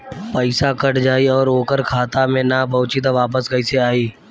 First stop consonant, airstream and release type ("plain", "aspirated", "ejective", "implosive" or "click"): plain